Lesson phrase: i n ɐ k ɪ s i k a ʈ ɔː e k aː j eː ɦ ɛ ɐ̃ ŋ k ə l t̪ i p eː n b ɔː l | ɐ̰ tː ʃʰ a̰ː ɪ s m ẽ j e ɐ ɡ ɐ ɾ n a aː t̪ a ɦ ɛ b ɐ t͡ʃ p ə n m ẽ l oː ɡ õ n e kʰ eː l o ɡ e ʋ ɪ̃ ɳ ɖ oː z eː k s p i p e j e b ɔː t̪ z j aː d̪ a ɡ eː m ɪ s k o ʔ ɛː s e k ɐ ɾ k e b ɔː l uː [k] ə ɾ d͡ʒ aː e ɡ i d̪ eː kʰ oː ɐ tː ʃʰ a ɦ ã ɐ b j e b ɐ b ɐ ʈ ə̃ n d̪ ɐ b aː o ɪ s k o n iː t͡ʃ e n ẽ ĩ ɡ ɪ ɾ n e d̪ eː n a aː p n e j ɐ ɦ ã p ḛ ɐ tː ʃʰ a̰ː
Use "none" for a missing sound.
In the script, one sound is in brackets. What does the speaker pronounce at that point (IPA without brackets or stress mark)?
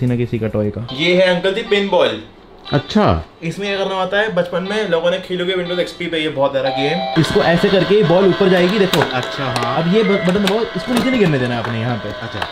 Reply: p